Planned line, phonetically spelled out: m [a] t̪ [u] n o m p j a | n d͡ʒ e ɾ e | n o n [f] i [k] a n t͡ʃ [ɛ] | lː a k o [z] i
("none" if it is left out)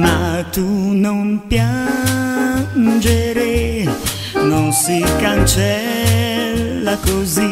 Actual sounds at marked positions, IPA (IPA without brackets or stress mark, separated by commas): a, u, s, k, ɛ, z